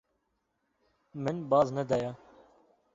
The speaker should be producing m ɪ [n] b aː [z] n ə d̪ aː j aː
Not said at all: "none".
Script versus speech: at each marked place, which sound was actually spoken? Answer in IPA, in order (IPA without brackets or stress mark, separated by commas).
n, z